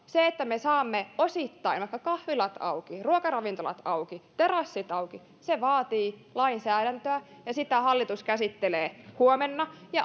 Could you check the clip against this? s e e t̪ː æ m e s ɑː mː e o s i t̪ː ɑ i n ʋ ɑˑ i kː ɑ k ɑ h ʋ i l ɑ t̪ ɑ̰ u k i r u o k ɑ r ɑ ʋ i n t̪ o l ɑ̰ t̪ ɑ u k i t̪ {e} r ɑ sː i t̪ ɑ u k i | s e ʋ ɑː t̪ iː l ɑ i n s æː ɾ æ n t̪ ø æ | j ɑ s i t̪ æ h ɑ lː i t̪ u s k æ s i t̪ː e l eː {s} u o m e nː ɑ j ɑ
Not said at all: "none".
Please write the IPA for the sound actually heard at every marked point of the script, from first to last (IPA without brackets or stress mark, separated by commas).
e, h